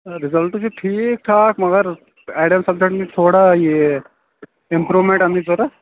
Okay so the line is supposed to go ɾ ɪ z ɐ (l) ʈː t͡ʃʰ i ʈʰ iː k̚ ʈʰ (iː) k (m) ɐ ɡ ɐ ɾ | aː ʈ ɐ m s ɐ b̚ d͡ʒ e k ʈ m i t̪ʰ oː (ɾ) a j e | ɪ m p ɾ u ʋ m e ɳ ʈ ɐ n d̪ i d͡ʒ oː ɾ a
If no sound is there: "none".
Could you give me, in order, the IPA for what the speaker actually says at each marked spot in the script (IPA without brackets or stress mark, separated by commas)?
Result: l, aː, m, ɽ